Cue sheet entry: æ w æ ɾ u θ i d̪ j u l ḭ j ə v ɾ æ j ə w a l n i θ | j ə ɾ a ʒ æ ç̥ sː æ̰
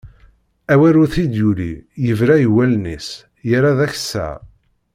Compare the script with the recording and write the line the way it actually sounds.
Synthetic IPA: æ w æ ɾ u θ i d̪ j u l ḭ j ə v ɾ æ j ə w æ l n i s | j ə ɾ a ð æ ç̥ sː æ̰